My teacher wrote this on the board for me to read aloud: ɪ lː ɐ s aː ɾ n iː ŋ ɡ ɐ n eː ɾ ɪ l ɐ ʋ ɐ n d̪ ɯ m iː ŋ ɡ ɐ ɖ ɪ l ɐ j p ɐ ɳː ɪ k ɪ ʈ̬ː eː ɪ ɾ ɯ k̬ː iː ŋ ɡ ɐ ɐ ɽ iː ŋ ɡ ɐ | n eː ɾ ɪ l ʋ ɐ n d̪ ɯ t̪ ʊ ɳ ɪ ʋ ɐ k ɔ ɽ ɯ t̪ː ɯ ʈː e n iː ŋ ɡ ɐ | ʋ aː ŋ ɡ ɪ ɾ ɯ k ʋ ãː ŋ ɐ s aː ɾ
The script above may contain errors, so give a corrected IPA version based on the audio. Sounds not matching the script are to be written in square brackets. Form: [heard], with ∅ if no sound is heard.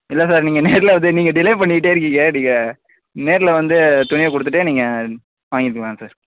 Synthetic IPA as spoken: ɪ lː ɐ s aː ɾ n iː ŋ ɡ ɐ n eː ɾ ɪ l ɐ ʋ ɐ n d̪ ɯ [n] iː ŋ ɡ ɐ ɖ ɪ l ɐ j p ɐ ɳː ɪ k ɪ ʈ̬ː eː ɪ ɾ ɯ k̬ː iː ŋ ɡ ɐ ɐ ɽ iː ŋ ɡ ɐ | n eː ɾ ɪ l ʋ ɐ n d̪ ɯ t̪ ʊ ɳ ɪ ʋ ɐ k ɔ ɽ ɯ t̪ː ɯ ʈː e n iː ŋ ɡ ɐ | ʋ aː ŋ ɡ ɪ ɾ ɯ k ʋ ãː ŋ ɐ s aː ɾ